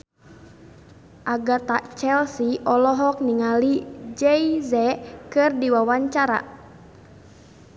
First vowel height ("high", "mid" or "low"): low